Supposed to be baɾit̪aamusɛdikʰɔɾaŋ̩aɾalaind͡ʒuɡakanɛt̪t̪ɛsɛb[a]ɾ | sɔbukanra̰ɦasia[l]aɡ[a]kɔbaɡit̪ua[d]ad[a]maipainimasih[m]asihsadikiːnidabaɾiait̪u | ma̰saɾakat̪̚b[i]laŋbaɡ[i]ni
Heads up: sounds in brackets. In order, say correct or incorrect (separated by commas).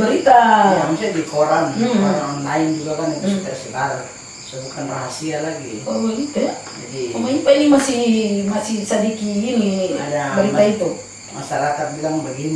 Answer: correct, correct, incorrect, incorrect, incorrect, correct, correct, correct